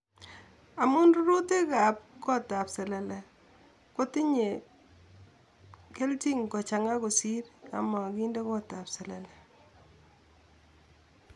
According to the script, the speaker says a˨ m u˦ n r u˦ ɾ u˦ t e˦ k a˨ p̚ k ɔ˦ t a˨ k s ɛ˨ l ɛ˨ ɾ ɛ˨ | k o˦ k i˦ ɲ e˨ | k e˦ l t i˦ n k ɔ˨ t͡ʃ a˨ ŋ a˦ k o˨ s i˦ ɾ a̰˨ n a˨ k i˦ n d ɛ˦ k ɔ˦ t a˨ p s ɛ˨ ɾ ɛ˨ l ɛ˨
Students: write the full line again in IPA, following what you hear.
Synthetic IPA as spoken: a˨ m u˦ n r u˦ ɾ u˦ t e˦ k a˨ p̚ k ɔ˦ t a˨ p s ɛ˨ l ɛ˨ l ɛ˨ | k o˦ t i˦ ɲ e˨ | k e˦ l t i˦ ŋ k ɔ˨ t͡ʃ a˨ ŋ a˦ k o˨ s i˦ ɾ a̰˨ m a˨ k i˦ n d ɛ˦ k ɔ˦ t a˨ p s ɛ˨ l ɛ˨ l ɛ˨